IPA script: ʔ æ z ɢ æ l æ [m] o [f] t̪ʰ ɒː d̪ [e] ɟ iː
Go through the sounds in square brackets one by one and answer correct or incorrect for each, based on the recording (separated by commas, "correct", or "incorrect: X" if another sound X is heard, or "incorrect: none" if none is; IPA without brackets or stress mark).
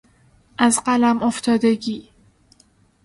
correct, correct, correct